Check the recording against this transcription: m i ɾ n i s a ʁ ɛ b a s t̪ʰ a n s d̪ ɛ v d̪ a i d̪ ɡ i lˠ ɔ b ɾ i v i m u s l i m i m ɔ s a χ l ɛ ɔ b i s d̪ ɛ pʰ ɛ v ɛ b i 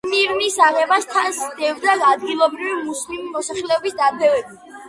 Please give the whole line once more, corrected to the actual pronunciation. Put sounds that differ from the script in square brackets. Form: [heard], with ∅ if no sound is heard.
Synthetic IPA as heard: m i ɾ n i s a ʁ ɛ b a s t̪ʰ a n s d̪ ɛ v d̪ a [a] d̪ ɡ i lˠ ɔ b ɾ i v i m u s l i m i m ɔ s a χ l ɛ ɔ b i s d̪ [a] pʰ ɛ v ɛ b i